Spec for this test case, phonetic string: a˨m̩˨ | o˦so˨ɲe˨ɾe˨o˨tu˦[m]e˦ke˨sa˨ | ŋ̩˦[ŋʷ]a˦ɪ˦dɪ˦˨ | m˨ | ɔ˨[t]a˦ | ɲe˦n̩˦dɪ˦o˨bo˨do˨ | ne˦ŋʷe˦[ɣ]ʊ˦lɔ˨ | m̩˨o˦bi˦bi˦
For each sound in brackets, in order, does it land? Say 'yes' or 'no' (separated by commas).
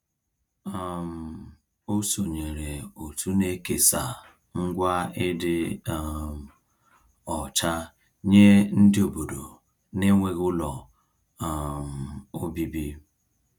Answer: no, no, no, yes